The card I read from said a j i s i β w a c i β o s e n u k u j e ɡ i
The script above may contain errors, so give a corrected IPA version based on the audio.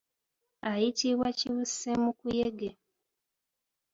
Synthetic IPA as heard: a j i t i β w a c i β u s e m u k u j e ɡ e